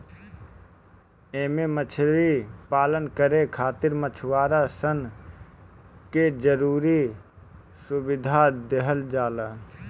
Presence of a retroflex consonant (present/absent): absent